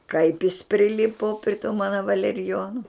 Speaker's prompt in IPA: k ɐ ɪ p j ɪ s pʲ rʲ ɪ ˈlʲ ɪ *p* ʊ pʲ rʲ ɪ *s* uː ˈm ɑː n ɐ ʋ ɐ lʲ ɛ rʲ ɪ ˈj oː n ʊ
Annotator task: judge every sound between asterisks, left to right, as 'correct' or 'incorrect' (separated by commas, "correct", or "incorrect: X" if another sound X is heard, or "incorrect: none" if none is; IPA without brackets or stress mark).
correct, incorrect: t